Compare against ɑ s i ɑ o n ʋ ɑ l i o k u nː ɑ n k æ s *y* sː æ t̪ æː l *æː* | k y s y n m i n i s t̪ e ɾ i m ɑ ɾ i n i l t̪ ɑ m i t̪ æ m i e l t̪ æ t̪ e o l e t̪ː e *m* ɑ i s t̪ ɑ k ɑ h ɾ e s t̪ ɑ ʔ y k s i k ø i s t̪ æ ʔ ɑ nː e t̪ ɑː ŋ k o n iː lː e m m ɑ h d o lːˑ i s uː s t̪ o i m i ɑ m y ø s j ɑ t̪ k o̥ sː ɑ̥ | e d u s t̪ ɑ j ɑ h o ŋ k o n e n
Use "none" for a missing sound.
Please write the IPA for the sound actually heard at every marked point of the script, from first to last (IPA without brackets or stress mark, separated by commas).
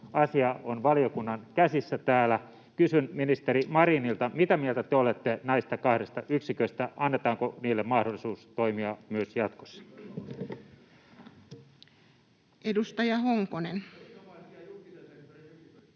i, æ, n